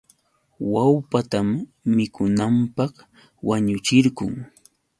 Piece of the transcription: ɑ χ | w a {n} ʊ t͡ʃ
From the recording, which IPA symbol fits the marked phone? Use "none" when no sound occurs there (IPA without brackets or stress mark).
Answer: ɲ